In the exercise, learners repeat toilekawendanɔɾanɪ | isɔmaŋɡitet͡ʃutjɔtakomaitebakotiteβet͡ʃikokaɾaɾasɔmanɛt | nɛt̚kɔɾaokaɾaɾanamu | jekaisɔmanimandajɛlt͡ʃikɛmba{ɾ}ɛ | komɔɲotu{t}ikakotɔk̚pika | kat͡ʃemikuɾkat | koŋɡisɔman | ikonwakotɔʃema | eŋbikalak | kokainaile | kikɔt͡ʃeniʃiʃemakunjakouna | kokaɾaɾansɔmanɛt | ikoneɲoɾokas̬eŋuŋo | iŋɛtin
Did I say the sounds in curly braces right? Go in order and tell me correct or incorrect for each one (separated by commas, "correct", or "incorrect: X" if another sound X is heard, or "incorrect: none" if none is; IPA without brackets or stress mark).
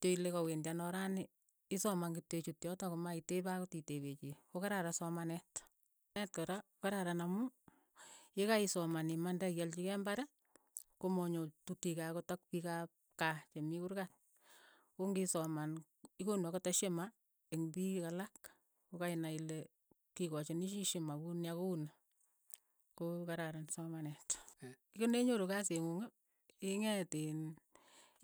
correct, correct